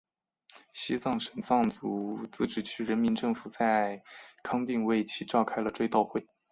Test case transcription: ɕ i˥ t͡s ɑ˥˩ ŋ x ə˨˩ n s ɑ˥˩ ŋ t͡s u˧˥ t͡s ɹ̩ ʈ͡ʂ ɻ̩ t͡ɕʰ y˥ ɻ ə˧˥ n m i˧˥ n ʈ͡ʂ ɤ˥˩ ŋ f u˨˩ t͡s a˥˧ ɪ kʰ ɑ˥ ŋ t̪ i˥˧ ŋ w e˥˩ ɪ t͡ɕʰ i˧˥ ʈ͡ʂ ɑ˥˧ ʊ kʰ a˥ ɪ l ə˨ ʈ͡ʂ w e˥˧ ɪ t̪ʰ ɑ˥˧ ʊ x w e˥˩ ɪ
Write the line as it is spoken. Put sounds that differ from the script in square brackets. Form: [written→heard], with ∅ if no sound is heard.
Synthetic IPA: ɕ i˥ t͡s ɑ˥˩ ŋ [x→ʂ] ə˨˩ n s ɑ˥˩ ŋ t͡s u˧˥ t͡s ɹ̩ ʈ͡ʂ ɻ̩ t͡ɕʰ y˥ ɻ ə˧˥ n m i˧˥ n ʈ͡ʂ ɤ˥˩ ŋ f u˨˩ t͡s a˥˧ ɪ kʰ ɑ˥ ŋ t̪ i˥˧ ŋ w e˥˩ ɪ t͡ɕʰ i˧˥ ʈ͡ʂ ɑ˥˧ ʊ kʰ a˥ ɪ l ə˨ ʈ͡ʂ w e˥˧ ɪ [t̪ʰ→t̪] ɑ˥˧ ʊ x w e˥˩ ɪ